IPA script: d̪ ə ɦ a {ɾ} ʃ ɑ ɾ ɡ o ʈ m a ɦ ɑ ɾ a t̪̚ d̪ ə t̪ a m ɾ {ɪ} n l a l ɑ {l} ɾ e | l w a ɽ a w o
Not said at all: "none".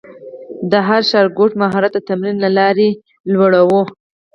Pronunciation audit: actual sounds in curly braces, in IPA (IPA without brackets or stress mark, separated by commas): ɾ, i, none